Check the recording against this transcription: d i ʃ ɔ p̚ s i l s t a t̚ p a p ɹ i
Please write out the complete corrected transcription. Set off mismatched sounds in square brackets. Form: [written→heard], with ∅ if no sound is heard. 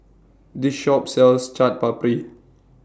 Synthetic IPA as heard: d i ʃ ɔ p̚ s [i→ɛ] l s [t→t͡ʃ] a t̚ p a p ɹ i